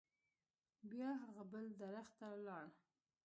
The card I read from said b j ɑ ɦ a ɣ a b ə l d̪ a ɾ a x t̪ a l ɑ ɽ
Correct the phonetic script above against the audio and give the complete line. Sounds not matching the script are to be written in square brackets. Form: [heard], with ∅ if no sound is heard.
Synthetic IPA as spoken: b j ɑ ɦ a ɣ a b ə l d̪ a ɾ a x t̪ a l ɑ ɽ